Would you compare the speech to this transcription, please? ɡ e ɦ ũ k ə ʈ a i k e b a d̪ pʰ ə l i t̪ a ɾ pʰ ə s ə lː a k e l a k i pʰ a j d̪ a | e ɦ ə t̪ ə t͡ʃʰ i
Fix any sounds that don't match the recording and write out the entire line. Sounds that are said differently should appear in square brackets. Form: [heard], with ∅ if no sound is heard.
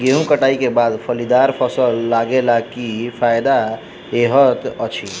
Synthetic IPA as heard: ɡ e ɦ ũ k ə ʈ a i k e b a d̪ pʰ ə l i [d̪] a ɾ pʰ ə s ə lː a [ɡ] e l a k i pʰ a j d̪ a | e ɦ ə t̪ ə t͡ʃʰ i